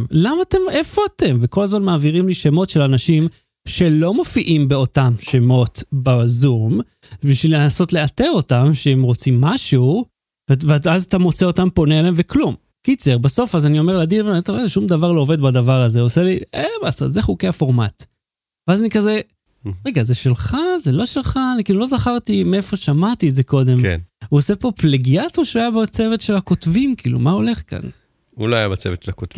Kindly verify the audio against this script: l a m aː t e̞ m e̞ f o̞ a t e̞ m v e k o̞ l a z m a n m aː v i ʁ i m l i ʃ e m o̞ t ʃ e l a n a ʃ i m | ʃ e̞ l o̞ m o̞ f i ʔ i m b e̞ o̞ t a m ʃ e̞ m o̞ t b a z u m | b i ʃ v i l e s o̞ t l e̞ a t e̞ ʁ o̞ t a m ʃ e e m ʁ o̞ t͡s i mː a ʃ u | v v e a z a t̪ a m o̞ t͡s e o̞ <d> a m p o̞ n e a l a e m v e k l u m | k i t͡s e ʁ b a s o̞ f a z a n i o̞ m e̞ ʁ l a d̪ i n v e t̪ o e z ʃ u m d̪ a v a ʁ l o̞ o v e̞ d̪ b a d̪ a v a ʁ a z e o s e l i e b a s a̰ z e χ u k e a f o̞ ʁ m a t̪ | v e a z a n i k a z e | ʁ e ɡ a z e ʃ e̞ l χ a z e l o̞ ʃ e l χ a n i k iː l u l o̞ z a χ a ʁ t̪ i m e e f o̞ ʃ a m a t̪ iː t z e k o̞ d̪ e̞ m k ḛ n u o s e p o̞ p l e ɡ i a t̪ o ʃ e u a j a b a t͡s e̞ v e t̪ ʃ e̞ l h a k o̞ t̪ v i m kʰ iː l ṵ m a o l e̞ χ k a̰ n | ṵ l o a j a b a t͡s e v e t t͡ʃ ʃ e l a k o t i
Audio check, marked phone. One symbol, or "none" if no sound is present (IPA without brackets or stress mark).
t